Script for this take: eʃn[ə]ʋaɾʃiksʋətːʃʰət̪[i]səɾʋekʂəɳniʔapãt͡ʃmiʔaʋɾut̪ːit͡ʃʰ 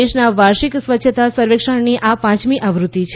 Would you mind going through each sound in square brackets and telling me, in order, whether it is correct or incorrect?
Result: incorrect: a, incorrect: a

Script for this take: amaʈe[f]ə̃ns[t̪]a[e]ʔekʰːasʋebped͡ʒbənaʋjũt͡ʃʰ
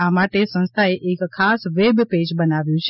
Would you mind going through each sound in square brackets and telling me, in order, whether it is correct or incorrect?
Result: incorrect: s, incorrect: t̪ʰ, correct

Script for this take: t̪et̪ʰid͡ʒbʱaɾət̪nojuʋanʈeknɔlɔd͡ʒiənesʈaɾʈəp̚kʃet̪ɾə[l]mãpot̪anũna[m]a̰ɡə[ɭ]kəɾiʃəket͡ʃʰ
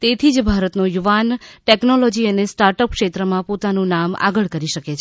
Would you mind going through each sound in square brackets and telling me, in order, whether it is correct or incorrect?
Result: incorrect: none, correct, correct

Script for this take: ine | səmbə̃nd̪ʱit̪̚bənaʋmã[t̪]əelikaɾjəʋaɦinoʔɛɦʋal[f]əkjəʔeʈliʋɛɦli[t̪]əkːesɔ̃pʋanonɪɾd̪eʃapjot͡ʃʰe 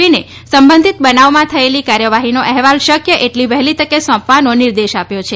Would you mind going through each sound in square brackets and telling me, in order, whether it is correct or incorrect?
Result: incorrect: t̪ʰ, incorrect: ʃ, correct

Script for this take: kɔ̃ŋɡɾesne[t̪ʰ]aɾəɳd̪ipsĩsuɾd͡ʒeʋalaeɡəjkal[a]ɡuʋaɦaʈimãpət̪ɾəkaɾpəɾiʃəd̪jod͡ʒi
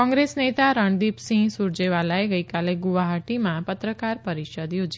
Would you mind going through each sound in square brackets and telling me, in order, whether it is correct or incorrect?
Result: incorrect: t̪, incorrect: e

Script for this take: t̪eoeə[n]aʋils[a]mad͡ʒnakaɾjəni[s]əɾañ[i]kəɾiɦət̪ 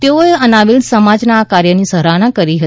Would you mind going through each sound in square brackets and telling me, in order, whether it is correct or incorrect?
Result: correct, incorrect: ə, correct, incorrect: a

